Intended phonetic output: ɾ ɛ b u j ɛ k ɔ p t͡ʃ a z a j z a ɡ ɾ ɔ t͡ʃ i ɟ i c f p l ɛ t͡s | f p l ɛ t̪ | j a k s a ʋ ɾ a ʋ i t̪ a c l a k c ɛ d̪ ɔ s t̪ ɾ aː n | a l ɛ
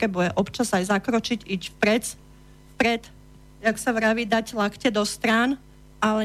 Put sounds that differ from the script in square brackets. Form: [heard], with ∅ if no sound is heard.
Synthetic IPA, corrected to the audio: ɾ ɛ b u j ɛ [ʔ] ɔ p t͡ʃ a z a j z a [k] ɾ ɔ t͡ʃ i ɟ i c f p [ɾ] ɛ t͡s | f p [ɾ] ɛ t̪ | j a k s a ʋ ɾ a ʋ i [d̪] a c l a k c ɛ d̪ ɔ s t̪ ɾ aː n | a l ɛ